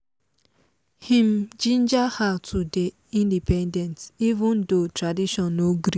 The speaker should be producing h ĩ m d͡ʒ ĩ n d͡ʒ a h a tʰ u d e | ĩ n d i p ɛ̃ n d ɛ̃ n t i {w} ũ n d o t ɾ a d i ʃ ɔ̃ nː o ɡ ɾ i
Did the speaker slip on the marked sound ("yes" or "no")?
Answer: yes